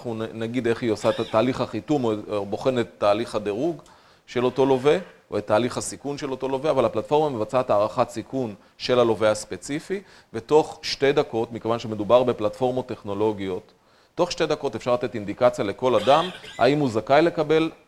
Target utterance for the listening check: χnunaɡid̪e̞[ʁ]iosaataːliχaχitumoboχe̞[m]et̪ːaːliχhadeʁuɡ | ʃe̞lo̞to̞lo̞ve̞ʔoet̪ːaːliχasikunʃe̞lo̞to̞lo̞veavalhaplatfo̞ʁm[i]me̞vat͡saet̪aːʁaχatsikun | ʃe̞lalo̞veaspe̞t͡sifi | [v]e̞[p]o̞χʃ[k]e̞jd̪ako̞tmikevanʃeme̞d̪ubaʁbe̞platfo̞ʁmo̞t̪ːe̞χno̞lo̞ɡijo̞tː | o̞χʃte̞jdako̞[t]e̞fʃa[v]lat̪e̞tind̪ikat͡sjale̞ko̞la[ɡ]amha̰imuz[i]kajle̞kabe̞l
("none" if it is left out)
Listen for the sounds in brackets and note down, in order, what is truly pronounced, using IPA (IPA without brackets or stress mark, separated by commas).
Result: χ, n, a, v, t, t, t, ʁ, d, a